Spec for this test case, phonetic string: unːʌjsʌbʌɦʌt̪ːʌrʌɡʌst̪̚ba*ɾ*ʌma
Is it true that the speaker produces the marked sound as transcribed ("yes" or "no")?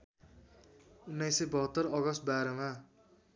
yes